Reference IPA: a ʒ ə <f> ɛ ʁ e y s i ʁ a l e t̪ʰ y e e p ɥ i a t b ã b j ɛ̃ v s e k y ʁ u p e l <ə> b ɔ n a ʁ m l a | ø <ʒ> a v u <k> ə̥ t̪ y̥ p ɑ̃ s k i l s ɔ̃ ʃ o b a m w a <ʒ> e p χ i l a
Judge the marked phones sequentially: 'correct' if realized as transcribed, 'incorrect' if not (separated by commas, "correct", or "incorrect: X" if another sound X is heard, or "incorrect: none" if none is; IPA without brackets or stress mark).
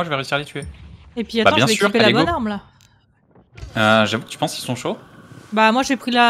incorrect: v, incorrect: a, correct, correct, correct